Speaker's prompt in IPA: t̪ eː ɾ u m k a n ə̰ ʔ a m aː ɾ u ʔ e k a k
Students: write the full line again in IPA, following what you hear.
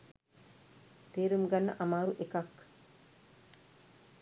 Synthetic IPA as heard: t̪ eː ɾ u m ɡ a nː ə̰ ʔ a m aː ɾ u ʔ e k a k